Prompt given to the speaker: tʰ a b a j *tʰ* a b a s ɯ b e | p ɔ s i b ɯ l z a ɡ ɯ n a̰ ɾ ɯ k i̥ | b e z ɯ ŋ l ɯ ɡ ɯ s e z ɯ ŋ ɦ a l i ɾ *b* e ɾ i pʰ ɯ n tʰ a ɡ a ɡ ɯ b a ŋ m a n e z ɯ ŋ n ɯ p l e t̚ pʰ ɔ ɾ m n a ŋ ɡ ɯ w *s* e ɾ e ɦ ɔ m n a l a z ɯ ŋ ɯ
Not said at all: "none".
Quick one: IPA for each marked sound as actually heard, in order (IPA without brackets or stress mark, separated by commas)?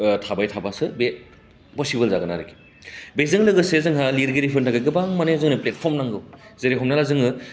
tʰ, ɡ, z